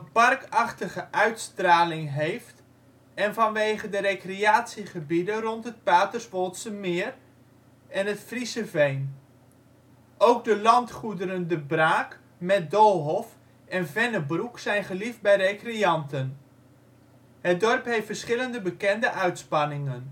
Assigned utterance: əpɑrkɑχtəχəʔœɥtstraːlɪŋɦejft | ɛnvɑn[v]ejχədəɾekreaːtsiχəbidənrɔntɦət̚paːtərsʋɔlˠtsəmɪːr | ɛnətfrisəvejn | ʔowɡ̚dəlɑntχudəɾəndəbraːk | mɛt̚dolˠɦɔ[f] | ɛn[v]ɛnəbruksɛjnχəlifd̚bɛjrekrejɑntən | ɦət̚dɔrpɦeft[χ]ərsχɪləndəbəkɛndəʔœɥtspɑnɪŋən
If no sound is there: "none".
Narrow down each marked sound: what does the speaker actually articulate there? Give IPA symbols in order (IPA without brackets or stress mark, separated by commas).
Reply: ʋ, f, v, f